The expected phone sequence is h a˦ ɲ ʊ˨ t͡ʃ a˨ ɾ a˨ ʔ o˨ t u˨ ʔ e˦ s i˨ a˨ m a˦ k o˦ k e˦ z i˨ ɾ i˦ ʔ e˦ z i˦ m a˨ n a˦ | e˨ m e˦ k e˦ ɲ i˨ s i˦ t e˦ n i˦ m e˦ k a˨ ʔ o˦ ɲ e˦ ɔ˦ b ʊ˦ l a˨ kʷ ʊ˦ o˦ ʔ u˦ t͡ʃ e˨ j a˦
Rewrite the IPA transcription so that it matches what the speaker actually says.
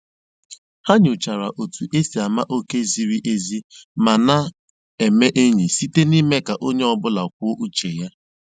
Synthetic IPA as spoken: h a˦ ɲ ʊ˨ t͡ʃ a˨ ɾ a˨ ʔ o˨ t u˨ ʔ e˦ s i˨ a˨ m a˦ ʔ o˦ k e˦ z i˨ ɾ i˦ ʔ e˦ z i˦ m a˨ n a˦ | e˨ m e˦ ʔ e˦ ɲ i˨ s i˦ t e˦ n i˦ m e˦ k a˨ ʔ o˦ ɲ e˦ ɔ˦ b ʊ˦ l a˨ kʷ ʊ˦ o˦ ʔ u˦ t͡ʃ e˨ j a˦